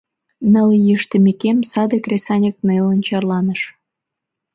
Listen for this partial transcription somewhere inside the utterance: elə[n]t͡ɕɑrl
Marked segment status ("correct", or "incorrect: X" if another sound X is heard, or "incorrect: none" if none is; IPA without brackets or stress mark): correct